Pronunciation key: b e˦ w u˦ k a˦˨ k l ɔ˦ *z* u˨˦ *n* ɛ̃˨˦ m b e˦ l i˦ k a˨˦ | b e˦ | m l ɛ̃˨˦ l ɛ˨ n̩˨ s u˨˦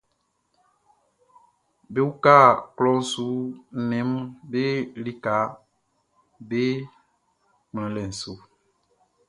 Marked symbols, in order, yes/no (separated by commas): no, yes